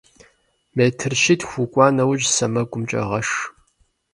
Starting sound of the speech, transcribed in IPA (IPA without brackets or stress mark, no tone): m